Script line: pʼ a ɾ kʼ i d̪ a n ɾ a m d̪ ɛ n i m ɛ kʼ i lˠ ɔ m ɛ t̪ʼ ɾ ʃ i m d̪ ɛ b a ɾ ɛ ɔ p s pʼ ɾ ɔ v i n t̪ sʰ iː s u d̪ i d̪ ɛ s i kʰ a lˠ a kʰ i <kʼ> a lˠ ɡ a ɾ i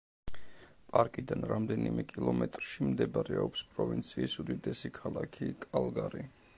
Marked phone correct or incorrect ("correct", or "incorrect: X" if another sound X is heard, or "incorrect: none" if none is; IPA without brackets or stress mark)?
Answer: correct